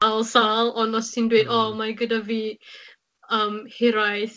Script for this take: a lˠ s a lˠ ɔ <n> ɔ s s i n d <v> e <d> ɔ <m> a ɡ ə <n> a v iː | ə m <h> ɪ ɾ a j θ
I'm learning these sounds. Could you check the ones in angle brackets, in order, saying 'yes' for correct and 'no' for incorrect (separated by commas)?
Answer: yes, no, yes, yes, no, yes